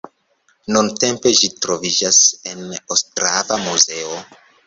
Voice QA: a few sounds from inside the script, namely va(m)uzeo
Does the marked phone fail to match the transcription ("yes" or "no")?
no